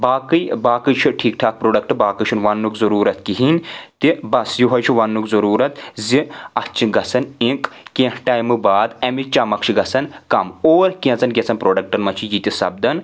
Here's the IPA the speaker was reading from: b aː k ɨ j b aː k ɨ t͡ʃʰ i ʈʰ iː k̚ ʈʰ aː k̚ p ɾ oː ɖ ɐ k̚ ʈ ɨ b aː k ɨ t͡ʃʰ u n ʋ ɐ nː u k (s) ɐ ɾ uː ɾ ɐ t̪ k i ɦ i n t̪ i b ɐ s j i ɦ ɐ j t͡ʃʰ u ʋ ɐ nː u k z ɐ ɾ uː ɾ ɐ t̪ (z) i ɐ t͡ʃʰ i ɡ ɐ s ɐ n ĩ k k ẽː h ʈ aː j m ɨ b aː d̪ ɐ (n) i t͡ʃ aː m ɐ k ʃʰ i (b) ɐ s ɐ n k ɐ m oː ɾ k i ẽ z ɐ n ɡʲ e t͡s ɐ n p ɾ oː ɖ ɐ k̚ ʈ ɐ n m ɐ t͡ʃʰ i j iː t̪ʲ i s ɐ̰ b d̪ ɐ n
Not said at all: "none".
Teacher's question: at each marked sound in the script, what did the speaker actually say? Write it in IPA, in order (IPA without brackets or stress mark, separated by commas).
z, z, m, ɡ